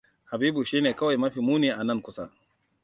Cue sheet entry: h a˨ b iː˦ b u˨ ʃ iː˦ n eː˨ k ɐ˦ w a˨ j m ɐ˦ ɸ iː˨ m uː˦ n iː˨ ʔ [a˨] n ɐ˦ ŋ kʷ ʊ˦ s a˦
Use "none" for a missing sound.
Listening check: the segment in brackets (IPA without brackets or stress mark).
a˨